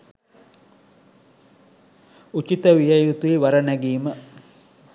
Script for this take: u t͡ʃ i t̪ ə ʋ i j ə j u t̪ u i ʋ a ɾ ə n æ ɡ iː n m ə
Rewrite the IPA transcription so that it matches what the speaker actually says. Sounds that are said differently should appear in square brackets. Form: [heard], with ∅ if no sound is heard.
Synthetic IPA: u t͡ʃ i t̪ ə ʋ i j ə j u t̪ u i ʋ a ɾ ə n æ ɡ iː [∅] m ə